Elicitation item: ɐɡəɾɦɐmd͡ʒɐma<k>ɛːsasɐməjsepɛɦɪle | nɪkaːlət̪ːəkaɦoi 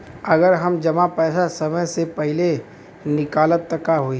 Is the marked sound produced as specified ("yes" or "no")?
no